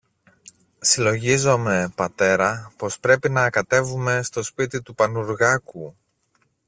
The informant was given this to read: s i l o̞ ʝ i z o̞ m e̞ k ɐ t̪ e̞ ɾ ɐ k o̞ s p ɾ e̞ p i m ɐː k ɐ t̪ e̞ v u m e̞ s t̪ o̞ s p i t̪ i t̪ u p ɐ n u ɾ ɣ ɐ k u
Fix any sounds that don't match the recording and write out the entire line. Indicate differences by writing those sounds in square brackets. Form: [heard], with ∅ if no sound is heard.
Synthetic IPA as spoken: s i l o̞ ʝ i z o̞ m e̞ [p] ɐ t̪ e̞ ɾ ɐ [p] o̞ s p ɾ e̞ p i [n] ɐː k ɐ t̪ e̞ v u m e̞ s t̪ o̞ s p i t̪ i t̪ u p ɐ n u ɾ ɣ ɐ k u